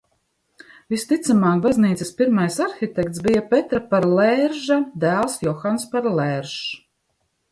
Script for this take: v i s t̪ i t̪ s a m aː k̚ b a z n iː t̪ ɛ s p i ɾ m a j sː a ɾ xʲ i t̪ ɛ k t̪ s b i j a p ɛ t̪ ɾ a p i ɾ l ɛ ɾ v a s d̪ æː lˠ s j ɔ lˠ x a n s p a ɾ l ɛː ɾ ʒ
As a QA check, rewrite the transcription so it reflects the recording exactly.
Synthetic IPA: v i s t̪ i t̪ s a m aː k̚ b a z n iː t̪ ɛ s p i ɾ m a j s a ɾ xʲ i t̪ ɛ k t̪ s b i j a p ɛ t̪ ɾ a p a ɾ l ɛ ɾ ʒ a d̪ æː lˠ s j ɔ x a n s p a ɾ l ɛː ɾ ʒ